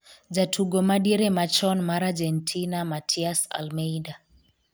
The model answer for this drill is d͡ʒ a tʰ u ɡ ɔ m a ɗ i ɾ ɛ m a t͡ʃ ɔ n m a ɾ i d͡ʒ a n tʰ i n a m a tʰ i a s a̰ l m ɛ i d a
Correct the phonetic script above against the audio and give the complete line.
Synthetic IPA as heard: d͡ʒ a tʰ u ɡ ɔ m a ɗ i ɾ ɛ m a t͡ʃ ɔ n m a ɾ a d͡ʒ ɛ n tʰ i n a m a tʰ i a s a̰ l m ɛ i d a